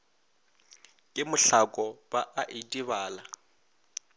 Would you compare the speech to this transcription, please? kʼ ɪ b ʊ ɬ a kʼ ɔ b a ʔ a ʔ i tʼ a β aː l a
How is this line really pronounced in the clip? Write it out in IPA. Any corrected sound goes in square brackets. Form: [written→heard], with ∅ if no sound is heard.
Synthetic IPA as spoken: kʼ ɪ [b→m] ʊ ɬ a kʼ ɔ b a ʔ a ʔ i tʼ [a→i] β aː l a